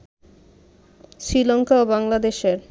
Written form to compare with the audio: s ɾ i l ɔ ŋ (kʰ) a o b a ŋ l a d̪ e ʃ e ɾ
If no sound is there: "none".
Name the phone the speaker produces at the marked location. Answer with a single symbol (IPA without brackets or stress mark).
k